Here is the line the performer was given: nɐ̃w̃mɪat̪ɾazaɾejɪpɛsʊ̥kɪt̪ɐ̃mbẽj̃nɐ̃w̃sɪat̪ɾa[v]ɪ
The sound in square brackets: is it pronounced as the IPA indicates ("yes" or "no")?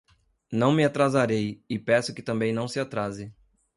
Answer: no